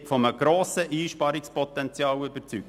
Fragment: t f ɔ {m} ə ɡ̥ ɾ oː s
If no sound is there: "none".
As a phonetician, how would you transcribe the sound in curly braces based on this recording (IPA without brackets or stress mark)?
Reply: m